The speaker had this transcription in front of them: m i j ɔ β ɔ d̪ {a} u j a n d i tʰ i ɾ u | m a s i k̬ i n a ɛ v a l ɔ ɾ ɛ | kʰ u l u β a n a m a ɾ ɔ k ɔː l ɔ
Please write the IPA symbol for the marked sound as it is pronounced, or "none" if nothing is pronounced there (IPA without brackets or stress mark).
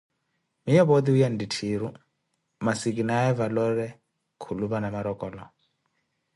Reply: i